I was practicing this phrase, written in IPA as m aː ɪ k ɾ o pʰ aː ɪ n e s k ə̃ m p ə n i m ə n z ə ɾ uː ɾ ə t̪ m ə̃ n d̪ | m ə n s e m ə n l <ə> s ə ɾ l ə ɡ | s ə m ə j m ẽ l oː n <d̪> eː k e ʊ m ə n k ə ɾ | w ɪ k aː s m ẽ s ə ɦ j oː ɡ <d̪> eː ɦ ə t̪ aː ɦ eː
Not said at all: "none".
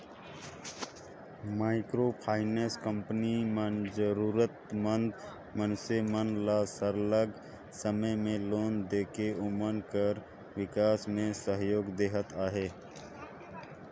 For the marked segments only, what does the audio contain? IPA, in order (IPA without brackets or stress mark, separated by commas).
a, d̪, d̪